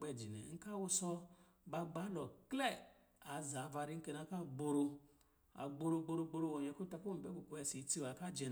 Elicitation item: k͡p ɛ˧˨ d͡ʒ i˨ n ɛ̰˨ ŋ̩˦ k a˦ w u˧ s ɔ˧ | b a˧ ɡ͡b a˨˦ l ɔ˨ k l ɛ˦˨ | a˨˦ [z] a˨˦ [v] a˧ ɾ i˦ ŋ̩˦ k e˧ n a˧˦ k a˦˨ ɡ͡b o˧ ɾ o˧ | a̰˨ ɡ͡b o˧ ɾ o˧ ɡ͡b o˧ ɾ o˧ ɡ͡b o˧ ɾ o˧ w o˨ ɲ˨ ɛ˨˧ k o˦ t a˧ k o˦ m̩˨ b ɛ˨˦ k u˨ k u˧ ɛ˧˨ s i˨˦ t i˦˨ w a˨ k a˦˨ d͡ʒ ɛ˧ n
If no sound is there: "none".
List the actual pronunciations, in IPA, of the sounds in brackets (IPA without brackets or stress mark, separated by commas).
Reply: z, v